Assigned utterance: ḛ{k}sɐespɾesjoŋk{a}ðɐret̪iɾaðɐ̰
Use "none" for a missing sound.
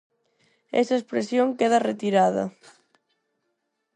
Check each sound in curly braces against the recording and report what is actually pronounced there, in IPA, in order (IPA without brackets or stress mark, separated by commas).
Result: none, e